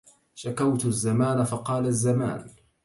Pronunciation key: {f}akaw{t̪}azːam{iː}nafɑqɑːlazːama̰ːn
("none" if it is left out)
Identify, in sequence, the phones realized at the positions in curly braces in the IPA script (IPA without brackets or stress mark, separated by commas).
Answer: ʃ, t̪, aː